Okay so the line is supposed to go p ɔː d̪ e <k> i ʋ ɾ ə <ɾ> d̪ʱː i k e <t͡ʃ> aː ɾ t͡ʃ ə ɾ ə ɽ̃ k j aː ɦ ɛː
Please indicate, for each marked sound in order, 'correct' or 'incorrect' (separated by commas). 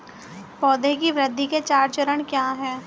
correct, incorrect, correct